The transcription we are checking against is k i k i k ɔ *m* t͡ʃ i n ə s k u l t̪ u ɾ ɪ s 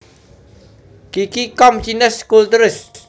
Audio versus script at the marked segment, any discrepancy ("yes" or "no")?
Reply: no